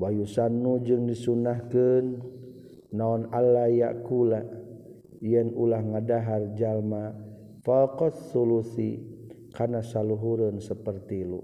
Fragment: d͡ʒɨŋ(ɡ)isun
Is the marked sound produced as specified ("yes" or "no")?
no